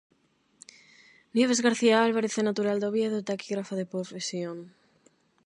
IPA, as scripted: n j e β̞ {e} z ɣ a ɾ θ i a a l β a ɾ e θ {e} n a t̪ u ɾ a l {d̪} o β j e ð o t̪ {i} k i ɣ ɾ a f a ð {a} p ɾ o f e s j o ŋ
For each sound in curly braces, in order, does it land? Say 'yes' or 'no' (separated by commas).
yes, yes, yes, no, no